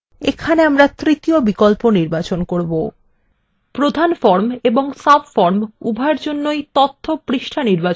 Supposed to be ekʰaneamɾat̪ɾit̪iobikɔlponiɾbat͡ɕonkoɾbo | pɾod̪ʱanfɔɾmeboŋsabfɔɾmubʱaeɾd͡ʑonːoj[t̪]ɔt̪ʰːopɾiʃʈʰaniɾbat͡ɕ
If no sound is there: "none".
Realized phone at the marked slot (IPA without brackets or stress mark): t̪